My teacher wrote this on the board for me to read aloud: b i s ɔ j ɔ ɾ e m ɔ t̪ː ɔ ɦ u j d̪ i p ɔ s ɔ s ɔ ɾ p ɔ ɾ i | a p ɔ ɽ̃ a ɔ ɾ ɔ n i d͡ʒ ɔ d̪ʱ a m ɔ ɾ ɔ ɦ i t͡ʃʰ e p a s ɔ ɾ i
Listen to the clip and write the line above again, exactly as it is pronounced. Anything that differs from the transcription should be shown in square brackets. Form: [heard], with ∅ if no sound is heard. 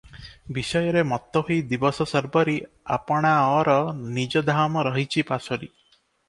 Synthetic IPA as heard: b i s ɔ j ɔ ɾ e m ɔ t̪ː ɔ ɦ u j d̪ i [b] ɔ s ɔ s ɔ ɾ [b] ɔ ɾ i | a p ɔ ɽ̃ a ɔ ɾ ɔ n i d͡ʒ ɔ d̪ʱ a m ɔ ɾ ɔ ɦ i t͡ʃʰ [i] p a s ɔ ɾ i